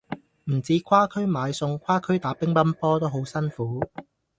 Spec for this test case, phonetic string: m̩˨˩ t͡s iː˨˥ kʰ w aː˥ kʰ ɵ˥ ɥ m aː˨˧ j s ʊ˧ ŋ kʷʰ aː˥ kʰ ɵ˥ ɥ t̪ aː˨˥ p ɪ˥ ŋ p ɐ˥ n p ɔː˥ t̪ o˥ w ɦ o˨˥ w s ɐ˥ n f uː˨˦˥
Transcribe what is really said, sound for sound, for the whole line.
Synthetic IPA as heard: m̩˨˩ t͡s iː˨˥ kʰ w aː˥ kʰ ɵ˥ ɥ m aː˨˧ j s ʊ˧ ŋ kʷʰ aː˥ kʰ ɵ˥ ɥ t̪ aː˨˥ p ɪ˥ ŋ p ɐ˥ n p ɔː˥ t̪ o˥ w ɦ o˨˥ w s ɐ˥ n f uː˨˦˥